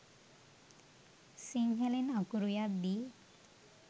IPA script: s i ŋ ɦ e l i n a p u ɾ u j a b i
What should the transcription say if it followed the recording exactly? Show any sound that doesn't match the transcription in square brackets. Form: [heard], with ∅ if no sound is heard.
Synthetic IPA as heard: s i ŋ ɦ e l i n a [k] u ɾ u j a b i